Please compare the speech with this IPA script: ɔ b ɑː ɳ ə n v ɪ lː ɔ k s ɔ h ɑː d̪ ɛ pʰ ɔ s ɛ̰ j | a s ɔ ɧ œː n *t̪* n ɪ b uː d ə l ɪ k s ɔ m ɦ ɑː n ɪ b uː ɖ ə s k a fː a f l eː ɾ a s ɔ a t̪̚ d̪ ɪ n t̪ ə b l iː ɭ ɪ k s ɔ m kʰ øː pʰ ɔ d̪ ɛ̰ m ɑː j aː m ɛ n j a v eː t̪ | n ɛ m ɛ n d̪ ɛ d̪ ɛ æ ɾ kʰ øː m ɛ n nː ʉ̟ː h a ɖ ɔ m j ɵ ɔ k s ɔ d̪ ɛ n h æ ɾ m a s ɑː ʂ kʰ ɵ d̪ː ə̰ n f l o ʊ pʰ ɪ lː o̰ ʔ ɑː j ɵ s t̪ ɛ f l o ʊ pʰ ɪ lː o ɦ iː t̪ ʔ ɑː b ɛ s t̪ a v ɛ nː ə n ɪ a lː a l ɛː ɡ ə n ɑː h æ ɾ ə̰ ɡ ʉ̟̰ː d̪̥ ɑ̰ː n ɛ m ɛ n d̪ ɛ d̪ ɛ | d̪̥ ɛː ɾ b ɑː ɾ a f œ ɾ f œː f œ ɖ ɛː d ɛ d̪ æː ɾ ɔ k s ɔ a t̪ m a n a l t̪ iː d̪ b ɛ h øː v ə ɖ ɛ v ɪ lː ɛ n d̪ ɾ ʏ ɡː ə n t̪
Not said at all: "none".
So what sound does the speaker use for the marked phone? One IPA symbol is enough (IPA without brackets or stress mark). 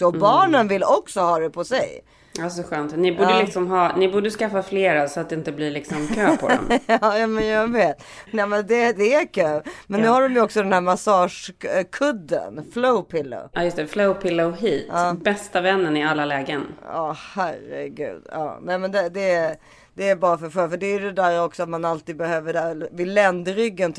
t̪